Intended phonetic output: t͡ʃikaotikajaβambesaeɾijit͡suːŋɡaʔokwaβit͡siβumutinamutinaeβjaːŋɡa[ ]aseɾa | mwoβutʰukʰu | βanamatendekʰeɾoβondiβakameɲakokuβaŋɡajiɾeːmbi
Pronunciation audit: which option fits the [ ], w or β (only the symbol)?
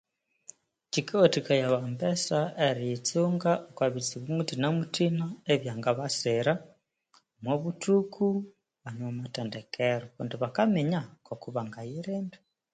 β